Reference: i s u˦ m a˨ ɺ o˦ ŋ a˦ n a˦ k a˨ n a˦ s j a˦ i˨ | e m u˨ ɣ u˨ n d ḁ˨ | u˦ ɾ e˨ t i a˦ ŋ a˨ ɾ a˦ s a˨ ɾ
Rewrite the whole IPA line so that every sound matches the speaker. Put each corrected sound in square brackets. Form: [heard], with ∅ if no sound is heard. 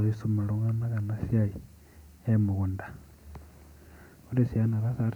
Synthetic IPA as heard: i s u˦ m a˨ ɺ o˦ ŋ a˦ n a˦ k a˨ n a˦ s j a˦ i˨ | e m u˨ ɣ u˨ n d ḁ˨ | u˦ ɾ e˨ [s] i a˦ [n] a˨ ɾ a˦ s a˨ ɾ